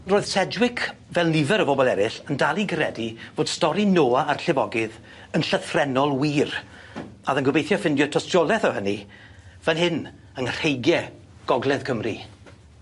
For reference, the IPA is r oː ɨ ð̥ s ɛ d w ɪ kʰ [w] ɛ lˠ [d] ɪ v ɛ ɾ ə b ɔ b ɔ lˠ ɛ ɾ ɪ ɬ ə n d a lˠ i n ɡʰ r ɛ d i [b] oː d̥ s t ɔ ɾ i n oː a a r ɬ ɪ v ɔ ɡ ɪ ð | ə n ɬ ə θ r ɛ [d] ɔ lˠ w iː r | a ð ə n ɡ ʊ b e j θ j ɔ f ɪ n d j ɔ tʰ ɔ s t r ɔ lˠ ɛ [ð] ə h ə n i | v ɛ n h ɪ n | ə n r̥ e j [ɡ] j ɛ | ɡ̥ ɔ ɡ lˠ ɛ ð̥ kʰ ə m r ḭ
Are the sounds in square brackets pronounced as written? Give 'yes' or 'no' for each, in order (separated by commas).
no, no, no, no, no, yes